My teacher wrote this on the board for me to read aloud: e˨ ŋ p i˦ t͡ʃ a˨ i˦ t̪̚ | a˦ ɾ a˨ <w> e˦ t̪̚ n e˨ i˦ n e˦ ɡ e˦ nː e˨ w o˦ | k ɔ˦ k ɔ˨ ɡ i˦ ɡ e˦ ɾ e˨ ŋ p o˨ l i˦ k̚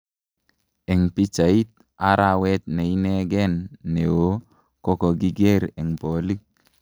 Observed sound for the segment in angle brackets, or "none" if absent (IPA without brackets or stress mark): w